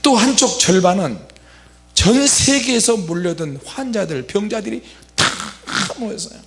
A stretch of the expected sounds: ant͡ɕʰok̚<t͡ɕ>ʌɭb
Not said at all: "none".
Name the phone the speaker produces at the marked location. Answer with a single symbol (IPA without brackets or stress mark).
t͡ɕ